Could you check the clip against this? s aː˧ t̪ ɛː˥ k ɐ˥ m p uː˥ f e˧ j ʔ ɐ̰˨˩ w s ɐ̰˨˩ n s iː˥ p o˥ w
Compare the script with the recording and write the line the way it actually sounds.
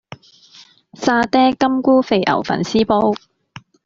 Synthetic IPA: s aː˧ t̪ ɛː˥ k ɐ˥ m k uː˥ f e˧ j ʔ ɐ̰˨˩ w f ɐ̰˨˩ n s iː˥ p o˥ w